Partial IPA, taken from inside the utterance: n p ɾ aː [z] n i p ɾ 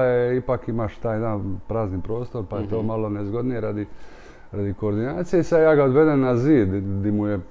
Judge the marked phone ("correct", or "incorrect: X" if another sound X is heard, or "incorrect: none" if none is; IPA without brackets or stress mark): correct